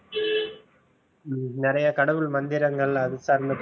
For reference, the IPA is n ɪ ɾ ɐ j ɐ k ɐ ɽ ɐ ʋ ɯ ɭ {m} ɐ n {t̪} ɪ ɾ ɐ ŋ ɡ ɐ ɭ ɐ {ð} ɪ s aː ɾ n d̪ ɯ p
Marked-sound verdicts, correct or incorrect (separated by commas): correct, incorrect, correct